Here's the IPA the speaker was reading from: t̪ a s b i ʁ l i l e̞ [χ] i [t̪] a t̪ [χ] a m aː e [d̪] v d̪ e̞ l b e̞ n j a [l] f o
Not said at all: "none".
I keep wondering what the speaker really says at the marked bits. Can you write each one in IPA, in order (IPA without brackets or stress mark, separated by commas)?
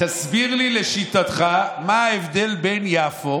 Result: ʃ, t̪, χ, none, none